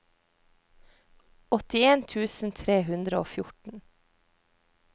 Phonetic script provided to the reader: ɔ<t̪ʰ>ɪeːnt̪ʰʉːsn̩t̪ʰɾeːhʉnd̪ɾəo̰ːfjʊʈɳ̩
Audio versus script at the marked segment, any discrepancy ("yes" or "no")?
yes